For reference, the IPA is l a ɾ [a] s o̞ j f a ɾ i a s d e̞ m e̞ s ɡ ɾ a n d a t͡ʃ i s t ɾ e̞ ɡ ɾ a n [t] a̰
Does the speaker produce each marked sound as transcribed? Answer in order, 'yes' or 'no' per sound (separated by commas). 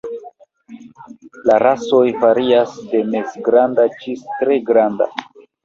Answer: yes, no